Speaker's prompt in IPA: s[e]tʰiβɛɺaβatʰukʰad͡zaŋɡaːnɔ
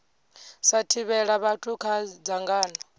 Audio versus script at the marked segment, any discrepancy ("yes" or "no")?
yes